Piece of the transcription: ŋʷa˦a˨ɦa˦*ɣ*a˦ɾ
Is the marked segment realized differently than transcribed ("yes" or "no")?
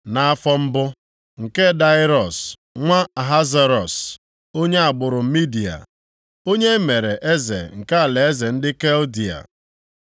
yes